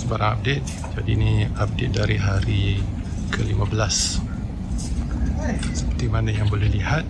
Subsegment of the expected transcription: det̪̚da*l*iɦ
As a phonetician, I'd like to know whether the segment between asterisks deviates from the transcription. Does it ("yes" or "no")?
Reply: yes